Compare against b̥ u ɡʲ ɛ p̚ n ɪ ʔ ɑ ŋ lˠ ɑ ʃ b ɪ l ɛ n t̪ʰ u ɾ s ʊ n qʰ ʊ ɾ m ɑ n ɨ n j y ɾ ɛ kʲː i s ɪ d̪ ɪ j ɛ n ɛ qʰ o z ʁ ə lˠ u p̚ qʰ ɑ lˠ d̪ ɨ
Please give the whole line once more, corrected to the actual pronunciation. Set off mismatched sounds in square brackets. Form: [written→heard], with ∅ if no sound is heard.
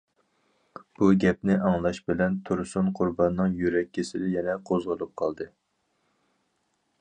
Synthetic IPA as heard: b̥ u ɡʲ ɛ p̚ n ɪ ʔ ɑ ŋ lˠ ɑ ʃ b ɪ l ɛ n t̪ʰ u ɾ s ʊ n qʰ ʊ ɾ [m→b] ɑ [n→nː] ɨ [n→ŋ] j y ɾ ɛ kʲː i s ɪ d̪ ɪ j ɛ n ɛ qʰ o z ʁ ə lˠ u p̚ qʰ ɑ lˠ d̪ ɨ